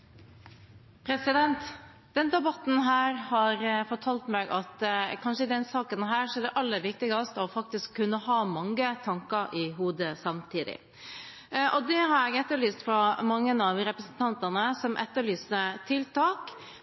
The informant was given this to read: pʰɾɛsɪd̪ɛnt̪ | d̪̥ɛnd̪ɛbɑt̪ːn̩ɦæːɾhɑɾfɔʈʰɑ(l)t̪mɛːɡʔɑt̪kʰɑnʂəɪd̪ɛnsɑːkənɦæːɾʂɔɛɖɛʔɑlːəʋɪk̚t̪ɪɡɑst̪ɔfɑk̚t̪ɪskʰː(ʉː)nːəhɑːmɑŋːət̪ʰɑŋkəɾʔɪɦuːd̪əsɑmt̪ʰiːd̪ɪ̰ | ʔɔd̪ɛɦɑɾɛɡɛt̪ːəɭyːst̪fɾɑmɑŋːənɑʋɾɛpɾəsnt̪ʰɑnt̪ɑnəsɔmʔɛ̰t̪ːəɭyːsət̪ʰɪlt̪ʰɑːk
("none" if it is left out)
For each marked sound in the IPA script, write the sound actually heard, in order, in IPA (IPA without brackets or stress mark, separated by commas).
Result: l, ʉ